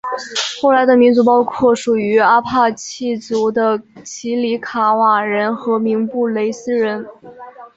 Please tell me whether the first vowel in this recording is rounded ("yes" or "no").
yes